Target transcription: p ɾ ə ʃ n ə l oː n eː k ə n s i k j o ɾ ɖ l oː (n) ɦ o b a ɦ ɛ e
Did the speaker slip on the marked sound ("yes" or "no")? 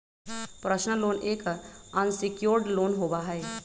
no